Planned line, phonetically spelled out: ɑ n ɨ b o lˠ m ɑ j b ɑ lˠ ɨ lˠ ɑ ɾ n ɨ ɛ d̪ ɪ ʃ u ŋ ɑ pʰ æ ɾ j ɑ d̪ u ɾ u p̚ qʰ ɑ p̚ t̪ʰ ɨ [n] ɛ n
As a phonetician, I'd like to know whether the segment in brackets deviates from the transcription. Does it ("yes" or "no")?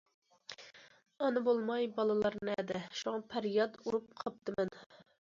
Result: yes